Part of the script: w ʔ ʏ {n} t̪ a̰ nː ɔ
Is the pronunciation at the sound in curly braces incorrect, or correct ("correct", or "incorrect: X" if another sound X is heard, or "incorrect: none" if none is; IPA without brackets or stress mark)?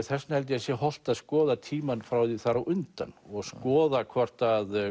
correct